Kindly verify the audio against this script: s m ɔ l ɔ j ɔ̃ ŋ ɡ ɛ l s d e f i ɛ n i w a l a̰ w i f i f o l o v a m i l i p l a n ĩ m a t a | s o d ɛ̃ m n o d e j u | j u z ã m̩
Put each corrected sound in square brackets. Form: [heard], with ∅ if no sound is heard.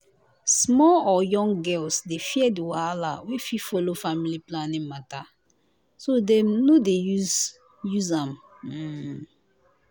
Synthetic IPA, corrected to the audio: s m ɔ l ɔ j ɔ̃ ŋ ɡ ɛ l s d e f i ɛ [d] i w a l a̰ w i f i f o l o [f] a m i l i p l a n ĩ m a t a | s o d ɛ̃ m n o d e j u | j u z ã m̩